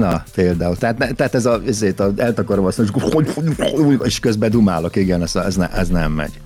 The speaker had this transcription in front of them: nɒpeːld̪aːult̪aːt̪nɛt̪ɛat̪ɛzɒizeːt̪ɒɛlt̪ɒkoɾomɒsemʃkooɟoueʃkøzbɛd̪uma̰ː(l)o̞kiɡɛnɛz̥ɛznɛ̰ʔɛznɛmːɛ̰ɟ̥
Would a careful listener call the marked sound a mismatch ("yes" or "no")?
no